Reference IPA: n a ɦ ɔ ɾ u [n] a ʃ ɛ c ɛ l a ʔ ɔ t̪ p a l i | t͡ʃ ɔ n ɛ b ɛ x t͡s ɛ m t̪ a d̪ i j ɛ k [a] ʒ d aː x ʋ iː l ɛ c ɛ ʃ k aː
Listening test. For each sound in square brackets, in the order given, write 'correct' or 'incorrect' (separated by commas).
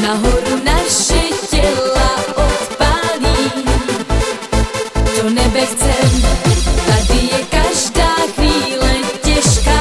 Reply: correct, correct